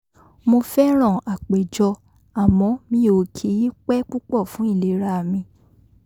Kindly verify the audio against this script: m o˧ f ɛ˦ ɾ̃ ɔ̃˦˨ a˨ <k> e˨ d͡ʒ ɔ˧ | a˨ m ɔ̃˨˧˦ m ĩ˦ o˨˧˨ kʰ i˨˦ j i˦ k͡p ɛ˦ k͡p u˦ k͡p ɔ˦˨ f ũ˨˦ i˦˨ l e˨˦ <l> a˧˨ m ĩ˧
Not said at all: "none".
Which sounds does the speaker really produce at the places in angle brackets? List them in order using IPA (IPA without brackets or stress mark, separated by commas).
k͡p, ɾ